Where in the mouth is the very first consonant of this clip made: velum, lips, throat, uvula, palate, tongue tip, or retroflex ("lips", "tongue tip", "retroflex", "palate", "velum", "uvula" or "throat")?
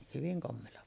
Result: throat